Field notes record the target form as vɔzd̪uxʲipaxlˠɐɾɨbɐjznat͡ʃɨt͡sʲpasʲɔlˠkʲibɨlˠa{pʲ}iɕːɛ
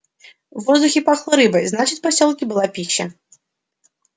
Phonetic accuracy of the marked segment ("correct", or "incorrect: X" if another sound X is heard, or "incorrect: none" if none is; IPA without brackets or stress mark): correct